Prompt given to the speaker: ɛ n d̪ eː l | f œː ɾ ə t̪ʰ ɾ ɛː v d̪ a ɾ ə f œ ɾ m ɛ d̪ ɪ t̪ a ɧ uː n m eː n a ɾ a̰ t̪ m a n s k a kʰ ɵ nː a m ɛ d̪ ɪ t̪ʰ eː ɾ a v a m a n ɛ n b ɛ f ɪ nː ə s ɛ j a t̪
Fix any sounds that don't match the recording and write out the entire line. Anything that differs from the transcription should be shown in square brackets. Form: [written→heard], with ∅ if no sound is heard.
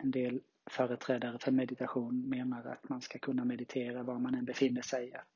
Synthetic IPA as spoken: ɛ n d̪ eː l | f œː ɾ ə t̪ʰ ɾ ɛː [v→∅] d̪ a ɾ ə f œ ɾ m ɛ d̪ ɪ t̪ a ɧ uː n m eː n a ɾ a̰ t̪ m a n s k a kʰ ɵ nː a m ɛ d̪ ɪ t̪ʰ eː ɾ a v a m a n ɛ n b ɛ f ɪ nː ə [s→ʂ] ɛ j a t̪